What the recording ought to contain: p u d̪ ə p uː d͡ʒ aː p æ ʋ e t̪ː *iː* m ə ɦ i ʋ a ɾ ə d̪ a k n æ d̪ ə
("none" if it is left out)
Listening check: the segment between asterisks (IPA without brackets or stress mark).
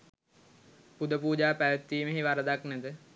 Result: iː